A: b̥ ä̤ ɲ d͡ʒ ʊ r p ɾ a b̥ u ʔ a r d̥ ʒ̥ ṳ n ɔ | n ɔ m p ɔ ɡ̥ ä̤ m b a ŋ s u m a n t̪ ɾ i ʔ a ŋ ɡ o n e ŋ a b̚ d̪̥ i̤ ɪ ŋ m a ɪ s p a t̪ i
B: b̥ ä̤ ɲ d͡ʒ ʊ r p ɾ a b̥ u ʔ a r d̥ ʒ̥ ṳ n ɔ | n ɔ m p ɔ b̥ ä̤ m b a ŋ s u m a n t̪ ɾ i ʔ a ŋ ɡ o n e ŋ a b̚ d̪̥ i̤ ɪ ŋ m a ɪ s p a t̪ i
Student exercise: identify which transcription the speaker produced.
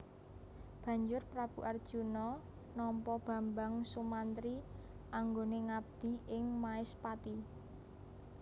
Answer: B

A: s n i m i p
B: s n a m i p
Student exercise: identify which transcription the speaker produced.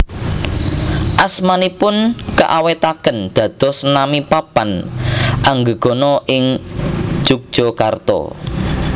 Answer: B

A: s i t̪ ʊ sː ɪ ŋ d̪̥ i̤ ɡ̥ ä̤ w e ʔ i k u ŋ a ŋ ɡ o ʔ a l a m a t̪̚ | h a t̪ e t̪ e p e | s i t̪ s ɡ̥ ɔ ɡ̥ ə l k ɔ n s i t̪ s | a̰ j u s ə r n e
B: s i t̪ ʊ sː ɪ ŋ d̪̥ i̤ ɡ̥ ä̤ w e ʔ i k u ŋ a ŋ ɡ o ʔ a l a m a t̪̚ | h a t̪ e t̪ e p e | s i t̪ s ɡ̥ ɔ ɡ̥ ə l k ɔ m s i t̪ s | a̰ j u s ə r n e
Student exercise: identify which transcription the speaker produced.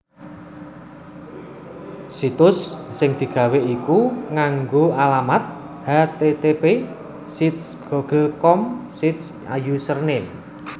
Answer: B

